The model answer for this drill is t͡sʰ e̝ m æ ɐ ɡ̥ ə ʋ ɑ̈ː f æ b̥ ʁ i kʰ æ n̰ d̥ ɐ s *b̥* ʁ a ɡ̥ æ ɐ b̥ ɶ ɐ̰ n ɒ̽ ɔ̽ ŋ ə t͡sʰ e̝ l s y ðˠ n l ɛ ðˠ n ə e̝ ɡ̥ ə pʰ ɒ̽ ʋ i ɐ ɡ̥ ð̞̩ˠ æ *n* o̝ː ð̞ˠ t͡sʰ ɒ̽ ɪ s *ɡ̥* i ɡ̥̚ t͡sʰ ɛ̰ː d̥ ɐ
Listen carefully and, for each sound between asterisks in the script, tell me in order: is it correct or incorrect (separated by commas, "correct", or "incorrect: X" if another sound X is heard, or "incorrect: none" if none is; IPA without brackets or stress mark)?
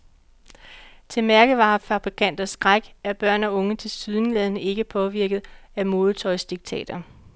incorrect: ɡ̥, incorrect: m, incorrect: d̥